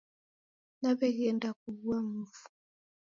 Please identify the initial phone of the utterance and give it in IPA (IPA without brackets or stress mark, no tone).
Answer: n